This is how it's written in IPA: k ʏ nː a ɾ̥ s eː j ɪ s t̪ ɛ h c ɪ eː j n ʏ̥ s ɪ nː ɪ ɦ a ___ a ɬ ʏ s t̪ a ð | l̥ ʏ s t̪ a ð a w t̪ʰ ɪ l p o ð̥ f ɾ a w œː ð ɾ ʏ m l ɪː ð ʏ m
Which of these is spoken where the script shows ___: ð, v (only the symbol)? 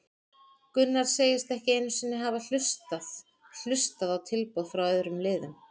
v